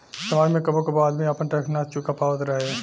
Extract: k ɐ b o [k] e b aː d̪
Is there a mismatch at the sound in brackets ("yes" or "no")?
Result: no